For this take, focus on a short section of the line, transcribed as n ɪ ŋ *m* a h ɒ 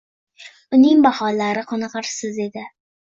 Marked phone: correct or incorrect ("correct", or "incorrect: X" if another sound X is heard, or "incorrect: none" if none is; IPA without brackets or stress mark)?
incorrect: b